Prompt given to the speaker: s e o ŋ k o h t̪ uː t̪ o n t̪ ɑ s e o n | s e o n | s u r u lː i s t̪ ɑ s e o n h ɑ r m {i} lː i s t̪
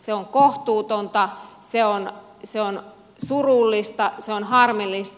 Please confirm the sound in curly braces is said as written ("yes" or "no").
yes